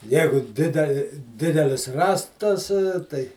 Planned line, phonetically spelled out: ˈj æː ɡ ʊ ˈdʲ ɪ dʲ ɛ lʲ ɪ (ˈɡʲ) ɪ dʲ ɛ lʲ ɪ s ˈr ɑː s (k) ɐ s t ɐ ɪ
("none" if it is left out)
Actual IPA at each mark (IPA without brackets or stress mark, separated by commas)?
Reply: dʲ, t